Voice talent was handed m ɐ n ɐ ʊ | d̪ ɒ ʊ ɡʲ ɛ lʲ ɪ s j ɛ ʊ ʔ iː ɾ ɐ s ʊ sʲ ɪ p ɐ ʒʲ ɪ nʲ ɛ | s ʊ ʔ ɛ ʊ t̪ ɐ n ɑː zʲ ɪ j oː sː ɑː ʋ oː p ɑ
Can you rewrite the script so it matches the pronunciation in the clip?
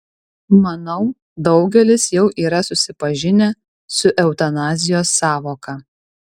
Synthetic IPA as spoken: m ɐ n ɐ ʊ | d̪ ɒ ʊ ɡʲ ɛ lʲ ɪ s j ɛ ʊ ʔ iː ɾ ɐ s ʊ sʲ ɪ p ɐ ʒʲ ɪ nʲ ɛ | s ʊ ʔ ɛ ʊ t̪ ɐ n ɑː zʲ ɪ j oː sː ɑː ʋ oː k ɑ